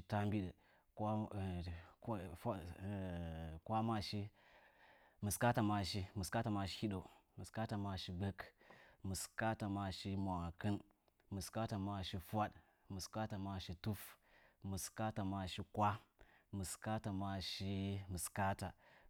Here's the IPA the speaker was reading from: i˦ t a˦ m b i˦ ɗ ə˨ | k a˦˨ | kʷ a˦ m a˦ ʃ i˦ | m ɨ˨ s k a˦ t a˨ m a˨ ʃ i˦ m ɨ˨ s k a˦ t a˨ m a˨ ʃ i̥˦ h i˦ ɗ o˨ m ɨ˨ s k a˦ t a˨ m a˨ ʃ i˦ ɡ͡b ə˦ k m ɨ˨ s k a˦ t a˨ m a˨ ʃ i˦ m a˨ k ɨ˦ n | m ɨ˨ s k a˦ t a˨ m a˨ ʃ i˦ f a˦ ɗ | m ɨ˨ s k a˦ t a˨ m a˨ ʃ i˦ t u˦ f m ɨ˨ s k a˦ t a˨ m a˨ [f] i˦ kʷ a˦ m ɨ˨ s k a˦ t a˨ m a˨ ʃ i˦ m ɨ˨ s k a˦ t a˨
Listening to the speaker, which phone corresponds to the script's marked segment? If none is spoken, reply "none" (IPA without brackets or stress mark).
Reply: ʃ